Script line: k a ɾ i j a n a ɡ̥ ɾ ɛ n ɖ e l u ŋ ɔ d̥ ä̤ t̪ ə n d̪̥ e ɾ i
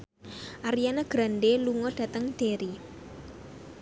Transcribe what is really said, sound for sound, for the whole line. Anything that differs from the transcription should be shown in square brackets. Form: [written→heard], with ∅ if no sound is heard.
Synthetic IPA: [k→ʔ] a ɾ i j a n a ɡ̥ ɾ [ɛ→a] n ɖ e l u ŋ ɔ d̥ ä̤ t̪ ə [n→ŋ] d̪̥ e ɾ i